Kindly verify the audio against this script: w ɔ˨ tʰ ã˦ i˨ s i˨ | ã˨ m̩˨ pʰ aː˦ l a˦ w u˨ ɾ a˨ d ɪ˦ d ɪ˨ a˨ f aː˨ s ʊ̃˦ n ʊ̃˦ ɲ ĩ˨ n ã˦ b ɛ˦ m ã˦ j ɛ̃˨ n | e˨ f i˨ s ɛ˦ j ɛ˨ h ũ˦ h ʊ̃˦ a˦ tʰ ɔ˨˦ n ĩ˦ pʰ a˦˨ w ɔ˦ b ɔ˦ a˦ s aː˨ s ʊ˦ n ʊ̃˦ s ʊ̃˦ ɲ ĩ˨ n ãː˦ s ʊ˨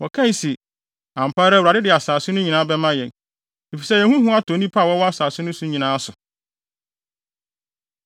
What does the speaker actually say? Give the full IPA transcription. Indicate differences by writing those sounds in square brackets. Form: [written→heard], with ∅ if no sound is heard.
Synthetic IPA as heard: w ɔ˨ [tʰ→kʰ] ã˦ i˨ s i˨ | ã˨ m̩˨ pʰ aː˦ [l→ɾ] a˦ w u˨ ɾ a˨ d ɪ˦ d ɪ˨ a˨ [f→s] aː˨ s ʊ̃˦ n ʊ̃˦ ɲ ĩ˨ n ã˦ b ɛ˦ m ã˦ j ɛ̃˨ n | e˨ f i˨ s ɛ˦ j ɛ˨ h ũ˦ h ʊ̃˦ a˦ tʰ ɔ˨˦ n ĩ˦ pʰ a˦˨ w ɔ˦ [b→w] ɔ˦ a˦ s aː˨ s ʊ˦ n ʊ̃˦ s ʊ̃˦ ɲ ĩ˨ n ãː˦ s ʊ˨

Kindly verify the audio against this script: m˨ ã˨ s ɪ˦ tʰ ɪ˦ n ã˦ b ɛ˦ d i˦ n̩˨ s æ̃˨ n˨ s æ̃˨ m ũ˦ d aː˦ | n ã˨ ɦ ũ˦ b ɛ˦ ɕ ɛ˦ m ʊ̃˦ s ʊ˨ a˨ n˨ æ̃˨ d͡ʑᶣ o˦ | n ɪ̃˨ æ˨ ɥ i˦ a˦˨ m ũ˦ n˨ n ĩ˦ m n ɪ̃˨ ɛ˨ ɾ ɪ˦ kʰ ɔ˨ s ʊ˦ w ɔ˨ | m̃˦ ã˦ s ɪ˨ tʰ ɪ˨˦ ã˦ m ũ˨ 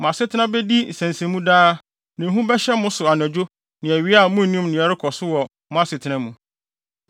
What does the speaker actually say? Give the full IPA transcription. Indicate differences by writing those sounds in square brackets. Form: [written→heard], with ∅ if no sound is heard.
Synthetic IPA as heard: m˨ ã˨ s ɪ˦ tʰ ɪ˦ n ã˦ b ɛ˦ d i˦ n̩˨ s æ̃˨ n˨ s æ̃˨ m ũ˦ d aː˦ | n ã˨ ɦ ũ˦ b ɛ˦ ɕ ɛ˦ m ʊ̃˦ s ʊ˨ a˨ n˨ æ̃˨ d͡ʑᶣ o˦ | n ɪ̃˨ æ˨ ɥ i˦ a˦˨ m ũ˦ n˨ n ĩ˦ m n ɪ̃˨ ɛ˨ ɾ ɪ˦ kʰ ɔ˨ s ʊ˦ w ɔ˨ | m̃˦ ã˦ s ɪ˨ tʰ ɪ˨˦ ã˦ m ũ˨

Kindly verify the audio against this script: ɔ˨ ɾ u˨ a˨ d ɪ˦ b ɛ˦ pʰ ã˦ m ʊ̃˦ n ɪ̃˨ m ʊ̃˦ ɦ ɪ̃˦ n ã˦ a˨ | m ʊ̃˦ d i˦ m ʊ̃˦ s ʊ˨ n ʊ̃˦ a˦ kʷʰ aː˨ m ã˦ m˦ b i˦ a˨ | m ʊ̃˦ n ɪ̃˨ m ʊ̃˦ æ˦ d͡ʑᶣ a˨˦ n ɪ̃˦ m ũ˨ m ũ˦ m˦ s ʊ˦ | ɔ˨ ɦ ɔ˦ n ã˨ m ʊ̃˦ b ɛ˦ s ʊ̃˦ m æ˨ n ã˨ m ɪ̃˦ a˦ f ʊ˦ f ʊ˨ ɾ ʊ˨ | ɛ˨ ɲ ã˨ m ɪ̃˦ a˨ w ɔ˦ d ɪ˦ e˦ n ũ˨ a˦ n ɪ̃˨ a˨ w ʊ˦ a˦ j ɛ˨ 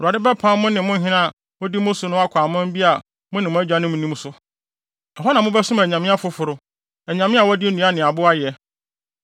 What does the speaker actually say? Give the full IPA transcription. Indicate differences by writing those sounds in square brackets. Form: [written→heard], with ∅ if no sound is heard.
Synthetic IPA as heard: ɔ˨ ɾ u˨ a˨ d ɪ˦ b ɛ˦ pʰ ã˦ m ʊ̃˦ n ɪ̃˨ m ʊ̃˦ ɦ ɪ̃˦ n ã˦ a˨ | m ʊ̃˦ d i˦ m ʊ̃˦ s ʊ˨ n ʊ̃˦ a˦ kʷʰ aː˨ m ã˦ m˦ b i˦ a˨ | m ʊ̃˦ n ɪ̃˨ m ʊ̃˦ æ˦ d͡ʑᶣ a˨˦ n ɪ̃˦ m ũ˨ [m→n] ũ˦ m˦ s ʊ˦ | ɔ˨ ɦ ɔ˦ n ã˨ m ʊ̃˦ b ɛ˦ s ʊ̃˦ m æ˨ [n→ɲ] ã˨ m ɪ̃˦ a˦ f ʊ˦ f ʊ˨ ɾ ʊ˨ | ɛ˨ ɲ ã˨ m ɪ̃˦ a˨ w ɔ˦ d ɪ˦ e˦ n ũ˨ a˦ n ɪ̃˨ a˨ [w→b] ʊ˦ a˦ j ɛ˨

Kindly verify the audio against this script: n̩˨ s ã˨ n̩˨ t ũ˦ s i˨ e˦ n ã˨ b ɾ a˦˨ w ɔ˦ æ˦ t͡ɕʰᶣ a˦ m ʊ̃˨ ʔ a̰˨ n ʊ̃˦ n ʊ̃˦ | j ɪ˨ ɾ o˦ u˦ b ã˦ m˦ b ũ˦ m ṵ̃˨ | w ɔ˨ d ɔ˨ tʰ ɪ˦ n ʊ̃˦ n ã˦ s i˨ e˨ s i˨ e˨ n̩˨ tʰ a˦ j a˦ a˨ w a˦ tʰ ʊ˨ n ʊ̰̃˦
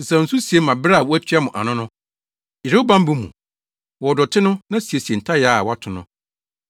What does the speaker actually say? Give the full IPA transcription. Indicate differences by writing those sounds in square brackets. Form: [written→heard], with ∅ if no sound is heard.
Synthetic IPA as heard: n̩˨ s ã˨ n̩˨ [t→s] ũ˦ s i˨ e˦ [n→m] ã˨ b ɾ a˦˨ w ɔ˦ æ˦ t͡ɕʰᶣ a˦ m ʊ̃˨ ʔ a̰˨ n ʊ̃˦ n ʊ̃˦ | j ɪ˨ ɾ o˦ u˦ b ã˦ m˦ b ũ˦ m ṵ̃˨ | w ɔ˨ d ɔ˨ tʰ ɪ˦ n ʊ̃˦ n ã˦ s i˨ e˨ s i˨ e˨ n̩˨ tʰ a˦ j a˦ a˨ w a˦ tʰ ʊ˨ n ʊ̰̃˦

